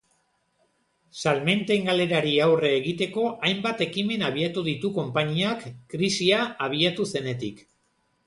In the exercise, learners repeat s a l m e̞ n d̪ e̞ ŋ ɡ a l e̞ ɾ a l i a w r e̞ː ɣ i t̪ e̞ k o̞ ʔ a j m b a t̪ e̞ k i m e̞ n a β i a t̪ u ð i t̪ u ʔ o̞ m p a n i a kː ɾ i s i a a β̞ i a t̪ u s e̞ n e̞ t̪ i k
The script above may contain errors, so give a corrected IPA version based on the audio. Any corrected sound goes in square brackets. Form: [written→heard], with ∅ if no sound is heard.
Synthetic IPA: s a l m e̞ n [d̪→t̪] e̞ ŋ ɡ a l e̞ ɾ a [l→ɾ] i a w r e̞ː ɣ i t̪ e̞ k o̞ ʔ a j m b a t̪ e̞ k i m e̞ n a β i a t̪ u ð i t̪ u [ʔ→k] o̞ m p a [n→ɲ] i a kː ɾ i s i a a β̞ i a t̪ u s e̞ n e̞ t̪ i k